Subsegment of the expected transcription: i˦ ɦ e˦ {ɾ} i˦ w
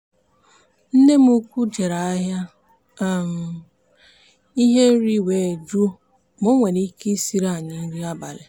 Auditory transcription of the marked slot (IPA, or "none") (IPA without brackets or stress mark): ɾ